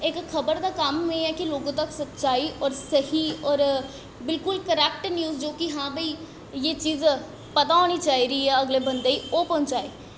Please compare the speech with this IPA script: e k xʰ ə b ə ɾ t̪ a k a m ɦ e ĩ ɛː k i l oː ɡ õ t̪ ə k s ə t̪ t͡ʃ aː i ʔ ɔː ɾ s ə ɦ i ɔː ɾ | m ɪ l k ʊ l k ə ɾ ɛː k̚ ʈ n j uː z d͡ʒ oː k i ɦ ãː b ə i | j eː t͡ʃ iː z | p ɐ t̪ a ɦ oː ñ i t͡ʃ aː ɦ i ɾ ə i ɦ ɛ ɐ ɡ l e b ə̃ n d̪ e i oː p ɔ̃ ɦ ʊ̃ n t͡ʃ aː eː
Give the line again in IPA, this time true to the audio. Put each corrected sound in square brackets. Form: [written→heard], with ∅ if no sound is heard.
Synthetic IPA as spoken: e k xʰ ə b ə ɾ [t̪→d̪] a k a m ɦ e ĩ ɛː k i l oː ɡ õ t̪ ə k s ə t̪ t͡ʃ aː i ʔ ɔː ɾ s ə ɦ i ɔː ɾ | [m→b] ɪ l k ʊ l k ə ɾ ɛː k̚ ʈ n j uː z d͡ʒ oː k i ɦ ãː b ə i | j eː t͡ʃ iː z | p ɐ t̪ a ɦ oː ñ i t͡ʃ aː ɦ i ɾ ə i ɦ ɛ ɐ ɡ l e b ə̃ n d̪ e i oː p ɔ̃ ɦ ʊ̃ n t͡ʃ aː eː